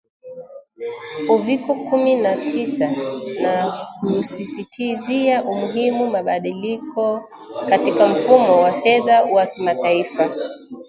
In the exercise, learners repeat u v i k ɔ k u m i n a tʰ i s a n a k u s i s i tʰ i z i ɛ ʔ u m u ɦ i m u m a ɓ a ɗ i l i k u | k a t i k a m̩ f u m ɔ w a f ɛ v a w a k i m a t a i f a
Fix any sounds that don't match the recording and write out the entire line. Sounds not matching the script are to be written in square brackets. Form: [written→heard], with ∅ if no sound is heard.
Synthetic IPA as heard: u v i k ɔ k u m i n a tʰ i s a n a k u s i s i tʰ i z i [ɛ→a] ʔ u m u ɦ i m u m a ɓ a ɗ i l i k [u→ɔ] | k a t i k a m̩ f u m ɔ w a f ɛ [v→ð] a w a k i m a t a i f a